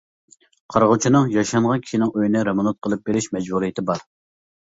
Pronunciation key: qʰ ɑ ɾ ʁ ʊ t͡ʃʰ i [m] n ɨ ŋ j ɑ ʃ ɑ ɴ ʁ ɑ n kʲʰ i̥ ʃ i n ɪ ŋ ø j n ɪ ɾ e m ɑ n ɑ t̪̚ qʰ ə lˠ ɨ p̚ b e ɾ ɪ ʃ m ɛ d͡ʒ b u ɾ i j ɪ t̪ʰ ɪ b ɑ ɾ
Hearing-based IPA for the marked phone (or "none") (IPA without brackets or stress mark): none